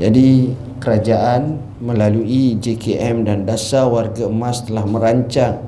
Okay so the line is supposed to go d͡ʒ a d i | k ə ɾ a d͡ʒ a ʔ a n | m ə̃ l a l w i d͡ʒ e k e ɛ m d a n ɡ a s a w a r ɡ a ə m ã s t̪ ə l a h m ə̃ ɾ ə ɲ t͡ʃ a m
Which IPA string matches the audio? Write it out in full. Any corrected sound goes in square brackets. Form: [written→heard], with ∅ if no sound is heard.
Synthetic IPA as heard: d͡ʒ a d i | k ə ɾ a d͡ʒ a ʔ a n | m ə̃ l a l [w→u] i d͡ʒ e k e ɛ m d a n [ɡ→d] a s a w a r ɡ a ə m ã s t̪ ə l a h m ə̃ ɾ [ə→a] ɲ t͡ʃ a [m→ŋ]